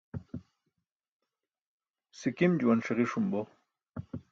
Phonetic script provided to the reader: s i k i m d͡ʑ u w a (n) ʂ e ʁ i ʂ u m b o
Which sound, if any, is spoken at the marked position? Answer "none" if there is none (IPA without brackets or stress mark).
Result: n